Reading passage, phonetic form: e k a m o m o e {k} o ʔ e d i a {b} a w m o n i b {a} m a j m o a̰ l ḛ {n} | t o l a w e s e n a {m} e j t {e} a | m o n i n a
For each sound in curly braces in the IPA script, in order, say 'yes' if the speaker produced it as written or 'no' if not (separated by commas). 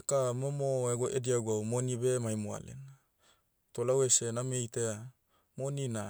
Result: no, no, no, yes, yes, yes